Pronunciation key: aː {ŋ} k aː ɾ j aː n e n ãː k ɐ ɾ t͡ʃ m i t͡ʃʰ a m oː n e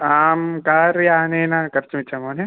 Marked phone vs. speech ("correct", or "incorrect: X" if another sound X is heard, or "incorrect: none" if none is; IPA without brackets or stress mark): incorrect: m